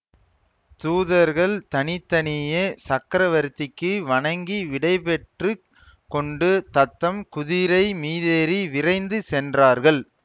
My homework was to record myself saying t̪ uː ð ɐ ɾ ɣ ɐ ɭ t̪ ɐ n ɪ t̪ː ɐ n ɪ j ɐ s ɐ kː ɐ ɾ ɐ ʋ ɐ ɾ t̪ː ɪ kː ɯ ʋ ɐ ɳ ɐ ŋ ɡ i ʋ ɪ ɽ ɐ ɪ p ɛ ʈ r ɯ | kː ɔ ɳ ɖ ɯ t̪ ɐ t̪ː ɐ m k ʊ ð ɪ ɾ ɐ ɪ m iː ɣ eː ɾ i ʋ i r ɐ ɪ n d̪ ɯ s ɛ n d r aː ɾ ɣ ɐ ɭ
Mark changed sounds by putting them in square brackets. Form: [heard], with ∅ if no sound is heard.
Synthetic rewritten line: t̪ uː ð ɐ ɾ ɣ ɐ ɭ t̪ ɐ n ɪ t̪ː ɐ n ɪ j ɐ s ɐ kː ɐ ɾ ɐ ʋ ɐ ɾ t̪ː ɪ kː ɯ ʋ ɐ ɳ ɐ ŋ ɡ i ʋ ɪ ɽ ɐ ɪ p ɛ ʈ r ɯ | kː ɔ ɳ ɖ ɯ t̪ ɐ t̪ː ɐ m k ʊ ð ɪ ɾ ɐ ɪ m iː [ð] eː ɾ i ʋ [ɪ] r ɐ ɪ n d̪ ɯ s ɛ n d r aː ɾ ɣ ɐ ɭ